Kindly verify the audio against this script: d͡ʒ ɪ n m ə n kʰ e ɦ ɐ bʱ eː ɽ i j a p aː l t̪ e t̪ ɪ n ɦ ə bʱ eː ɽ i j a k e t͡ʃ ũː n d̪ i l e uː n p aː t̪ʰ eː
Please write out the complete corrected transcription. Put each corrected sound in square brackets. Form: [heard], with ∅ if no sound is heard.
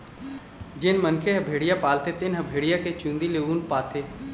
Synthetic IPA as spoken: d͡ʒ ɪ n m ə n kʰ e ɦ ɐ bʱ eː ɽ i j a p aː l t̪ e t̪ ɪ n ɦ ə bʱ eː ɽ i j a k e t͡ʃ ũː n d̪ i l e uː n p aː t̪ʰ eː